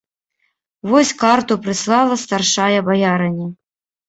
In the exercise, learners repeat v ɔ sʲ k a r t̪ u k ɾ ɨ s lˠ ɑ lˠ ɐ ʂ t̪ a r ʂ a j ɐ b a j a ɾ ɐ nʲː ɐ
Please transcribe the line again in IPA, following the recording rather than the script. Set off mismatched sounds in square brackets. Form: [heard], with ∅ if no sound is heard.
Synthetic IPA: v ɔ sʲ k a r t̪ u [p] ɾ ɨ s lˠ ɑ lˠ ɐ [s] t̪ a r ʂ a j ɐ b a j a ɾ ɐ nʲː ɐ